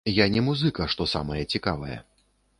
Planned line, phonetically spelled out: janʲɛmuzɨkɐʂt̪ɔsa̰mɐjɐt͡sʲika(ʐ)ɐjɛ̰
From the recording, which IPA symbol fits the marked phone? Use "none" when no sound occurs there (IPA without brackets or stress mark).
v